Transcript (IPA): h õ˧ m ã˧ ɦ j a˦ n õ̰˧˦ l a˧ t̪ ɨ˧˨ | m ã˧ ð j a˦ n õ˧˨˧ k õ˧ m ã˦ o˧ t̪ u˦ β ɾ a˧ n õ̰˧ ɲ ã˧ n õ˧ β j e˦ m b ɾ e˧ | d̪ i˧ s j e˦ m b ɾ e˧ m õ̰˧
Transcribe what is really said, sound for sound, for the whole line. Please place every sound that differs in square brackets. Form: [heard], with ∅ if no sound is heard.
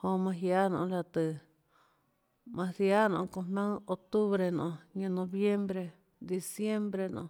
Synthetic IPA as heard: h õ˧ m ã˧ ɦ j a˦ n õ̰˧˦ l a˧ t̪ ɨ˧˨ | m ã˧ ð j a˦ n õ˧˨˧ k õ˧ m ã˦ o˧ t̪ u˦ β ɾ [e˧] n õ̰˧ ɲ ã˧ n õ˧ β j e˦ m b ɾ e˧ | d̪ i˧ s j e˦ m b ɾ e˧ [n] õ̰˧